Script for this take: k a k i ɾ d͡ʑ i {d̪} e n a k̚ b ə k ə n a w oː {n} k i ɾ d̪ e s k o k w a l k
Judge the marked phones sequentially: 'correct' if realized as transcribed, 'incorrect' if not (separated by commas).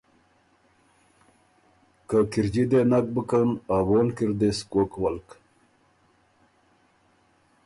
correct, correct